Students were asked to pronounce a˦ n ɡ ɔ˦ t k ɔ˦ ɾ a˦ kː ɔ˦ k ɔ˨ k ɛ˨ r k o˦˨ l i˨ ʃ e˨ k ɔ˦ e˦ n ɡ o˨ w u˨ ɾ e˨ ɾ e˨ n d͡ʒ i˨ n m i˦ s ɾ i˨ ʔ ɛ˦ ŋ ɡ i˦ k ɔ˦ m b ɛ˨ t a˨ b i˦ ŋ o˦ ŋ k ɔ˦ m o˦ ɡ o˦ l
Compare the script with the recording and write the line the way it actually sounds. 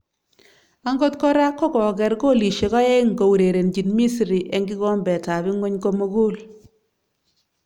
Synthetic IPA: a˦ ŋ ɡ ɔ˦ t k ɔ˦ ɾ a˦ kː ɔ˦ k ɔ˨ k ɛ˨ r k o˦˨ l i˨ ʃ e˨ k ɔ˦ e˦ ŋ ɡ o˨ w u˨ ɾ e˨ ɾ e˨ n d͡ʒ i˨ n m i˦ s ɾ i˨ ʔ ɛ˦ ŋ ɡ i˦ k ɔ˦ m b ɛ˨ t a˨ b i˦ ŋ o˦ ɲ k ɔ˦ m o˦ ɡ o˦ l

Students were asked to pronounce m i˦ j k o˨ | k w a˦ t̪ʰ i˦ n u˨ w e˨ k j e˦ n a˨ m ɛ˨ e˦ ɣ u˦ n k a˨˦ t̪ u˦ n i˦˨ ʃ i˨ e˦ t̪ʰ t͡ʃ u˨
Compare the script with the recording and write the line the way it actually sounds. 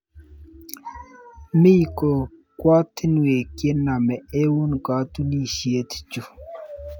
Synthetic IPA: m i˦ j k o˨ | k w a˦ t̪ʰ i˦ n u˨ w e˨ k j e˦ n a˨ m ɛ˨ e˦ w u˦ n k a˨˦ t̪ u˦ n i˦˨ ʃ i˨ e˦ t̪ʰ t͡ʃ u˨

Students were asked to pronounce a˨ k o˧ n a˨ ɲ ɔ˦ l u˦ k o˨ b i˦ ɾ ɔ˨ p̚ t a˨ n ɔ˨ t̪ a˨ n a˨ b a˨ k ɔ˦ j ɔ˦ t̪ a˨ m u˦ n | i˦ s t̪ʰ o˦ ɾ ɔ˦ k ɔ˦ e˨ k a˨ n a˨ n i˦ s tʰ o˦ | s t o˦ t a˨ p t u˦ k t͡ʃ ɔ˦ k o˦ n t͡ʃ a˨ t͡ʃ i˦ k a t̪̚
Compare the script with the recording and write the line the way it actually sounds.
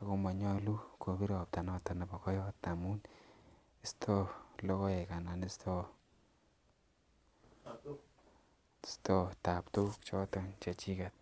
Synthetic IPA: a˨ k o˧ m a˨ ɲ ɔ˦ l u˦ k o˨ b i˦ ɾ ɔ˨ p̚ t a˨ n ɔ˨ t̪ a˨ n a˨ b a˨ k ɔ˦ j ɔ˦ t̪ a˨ m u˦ n | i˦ s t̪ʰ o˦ l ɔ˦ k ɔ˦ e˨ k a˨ n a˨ n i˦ s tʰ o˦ | s t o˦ t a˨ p t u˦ k t͡ʃ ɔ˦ t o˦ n t͡ʃ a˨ t͡ʃ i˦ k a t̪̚

